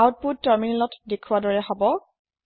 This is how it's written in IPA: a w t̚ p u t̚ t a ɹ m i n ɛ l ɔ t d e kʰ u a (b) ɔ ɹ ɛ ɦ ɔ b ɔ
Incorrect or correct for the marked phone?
incorrect: d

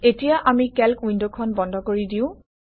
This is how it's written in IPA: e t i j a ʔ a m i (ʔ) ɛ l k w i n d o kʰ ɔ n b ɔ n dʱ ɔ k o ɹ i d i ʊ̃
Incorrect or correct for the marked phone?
incorrect: k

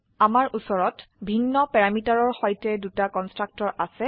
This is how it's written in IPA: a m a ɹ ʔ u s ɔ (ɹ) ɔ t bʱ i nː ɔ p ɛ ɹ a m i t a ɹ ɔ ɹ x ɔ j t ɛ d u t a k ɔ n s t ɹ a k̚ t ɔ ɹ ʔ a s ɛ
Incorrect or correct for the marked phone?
correct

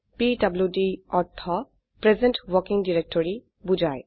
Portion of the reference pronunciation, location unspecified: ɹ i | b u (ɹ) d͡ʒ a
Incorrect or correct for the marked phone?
incorrect: none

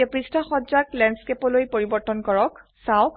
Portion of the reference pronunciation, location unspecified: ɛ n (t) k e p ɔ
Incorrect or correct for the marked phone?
incorrect: s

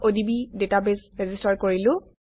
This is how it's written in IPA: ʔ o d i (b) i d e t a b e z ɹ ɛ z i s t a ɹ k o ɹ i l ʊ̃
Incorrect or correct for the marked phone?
correct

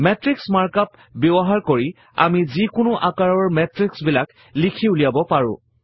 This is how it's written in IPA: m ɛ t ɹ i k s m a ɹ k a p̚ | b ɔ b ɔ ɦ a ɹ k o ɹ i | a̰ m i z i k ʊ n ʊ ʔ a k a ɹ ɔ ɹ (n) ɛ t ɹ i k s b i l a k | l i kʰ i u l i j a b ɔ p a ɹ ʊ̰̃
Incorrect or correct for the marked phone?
incorrect: m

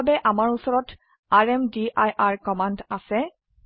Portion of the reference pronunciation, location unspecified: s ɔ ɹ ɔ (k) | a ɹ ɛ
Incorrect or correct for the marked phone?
incorrect: t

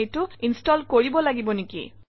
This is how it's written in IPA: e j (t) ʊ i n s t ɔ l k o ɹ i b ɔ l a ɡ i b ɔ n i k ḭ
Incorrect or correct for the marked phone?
correct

